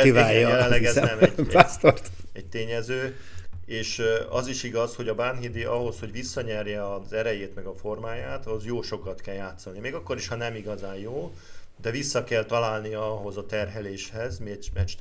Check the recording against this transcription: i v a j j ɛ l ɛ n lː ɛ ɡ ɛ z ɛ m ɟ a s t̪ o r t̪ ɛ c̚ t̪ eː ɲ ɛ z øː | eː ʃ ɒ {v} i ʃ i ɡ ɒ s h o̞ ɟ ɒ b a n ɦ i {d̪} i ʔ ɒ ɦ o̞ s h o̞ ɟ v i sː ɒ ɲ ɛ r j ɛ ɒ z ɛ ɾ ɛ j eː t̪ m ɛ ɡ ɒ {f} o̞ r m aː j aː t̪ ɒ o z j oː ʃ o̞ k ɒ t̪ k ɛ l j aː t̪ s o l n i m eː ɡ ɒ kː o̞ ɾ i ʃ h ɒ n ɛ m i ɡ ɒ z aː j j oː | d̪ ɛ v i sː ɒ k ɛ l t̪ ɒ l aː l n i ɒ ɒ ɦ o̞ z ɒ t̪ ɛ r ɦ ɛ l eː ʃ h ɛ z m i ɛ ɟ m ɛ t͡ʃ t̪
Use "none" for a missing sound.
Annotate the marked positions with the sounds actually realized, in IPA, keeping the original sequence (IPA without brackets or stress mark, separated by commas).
z, d̪, f